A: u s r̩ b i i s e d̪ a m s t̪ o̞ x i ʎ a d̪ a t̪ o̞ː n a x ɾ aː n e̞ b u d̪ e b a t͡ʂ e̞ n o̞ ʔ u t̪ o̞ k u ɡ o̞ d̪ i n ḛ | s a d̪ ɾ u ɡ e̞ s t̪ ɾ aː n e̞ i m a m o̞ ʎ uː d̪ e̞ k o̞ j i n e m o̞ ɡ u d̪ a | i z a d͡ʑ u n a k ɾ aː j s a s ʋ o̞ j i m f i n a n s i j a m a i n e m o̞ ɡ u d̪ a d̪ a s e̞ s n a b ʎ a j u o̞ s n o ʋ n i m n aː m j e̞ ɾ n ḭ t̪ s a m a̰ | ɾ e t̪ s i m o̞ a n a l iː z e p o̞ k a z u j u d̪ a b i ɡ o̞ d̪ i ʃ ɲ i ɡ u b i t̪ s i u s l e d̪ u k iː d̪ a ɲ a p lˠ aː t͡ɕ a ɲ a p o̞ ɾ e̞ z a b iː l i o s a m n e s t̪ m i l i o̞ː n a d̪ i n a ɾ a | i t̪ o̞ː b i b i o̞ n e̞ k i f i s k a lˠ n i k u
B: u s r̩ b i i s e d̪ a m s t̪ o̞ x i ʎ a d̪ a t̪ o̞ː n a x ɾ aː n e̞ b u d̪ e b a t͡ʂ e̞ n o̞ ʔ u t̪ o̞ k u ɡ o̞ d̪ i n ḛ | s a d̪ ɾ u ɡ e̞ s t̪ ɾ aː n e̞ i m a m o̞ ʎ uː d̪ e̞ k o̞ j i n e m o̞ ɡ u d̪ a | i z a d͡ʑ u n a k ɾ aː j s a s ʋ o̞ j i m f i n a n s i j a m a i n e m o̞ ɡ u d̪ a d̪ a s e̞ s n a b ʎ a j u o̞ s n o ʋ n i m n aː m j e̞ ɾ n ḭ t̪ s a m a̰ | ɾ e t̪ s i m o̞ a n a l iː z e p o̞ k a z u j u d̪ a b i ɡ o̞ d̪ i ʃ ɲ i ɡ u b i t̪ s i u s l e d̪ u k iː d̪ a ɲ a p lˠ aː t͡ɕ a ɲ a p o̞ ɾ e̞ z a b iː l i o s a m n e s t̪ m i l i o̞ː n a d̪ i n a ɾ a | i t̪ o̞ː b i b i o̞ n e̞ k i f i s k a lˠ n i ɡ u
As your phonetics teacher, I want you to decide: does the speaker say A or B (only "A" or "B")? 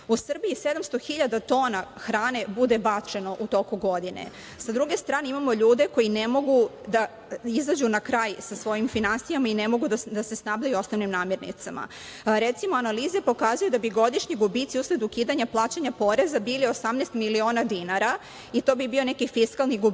B